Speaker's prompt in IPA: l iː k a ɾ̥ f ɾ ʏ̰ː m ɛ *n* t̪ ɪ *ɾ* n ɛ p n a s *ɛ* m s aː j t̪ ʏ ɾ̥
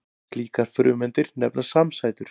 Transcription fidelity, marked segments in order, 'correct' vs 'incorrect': correct, correct, incorrect: a

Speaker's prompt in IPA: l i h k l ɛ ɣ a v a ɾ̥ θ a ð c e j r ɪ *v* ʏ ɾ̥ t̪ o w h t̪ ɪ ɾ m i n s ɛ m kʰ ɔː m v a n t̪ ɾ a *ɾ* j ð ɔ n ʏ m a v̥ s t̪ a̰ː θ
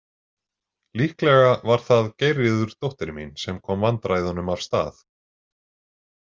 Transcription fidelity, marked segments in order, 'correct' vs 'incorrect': incorrect: ð, incorrect: none

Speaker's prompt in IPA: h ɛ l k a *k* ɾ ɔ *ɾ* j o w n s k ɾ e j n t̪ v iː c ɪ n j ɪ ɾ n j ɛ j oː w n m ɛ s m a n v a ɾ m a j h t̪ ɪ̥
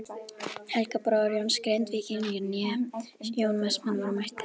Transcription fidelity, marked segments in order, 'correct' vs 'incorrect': incorrect: p, correct

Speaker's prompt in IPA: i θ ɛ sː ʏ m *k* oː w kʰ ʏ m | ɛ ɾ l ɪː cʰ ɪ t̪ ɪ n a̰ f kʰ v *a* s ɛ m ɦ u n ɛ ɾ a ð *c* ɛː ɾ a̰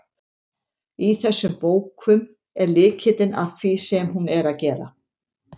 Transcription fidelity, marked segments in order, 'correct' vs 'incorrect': incorrect: p, incorrect: i, correct

